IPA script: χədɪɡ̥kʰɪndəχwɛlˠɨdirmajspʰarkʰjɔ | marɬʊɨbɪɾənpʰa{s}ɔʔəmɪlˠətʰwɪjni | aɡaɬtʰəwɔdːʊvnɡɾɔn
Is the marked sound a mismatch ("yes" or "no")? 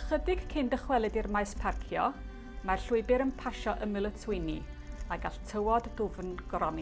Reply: yes